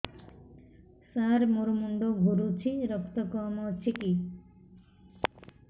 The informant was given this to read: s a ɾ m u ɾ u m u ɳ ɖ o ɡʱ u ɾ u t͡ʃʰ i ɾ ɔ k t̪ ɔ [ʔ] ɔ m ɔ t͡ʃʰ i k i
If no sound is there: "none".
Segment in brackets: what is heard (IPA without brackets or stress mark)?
k